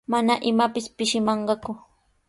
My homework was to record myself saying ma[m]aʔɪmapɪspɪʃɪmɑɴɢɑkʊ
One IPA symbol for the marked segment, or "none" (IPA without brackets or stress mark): n